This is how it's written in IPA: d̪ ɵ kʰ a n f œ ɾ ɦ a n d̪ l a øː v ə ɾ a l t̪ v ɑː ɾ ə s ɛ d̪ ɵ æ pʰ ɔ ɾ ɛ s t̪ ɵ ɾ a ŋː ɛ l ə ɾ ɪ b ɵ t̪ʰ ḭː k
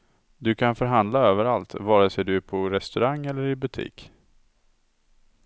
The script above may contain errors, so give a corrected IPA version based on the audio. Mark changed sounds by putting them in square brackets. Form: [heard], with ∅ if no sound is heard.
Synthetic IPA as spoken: d̪ ɵ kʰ a n f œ ɾ ɦ a n d̪ l a øː v ə ɾ a l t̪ v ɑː ɾ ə s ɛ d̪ ɵ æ pʰ ɔ ɾ ɛ s t̪ ɵ ɾ a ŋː ɛ [lː] ə ɾ ɪ b ɵ t̪ʰ ḭː k